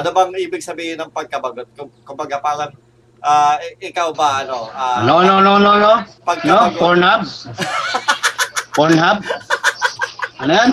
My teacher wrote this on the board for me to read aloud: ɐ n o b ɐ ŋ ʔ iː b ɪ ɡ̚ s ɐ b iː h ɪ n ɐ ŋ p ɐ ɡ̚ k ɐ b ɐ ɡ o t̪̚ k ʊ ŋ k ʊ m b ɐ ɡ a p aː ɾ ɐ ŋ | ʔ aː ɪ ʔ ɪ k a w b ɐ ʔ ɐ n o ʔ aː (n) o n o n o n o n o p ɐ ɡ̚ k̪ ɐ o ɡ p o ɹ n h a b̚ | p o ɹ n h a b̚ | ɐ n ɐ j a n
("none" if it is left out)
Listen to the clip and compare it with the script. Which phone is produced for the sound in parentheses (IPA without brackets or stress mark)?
n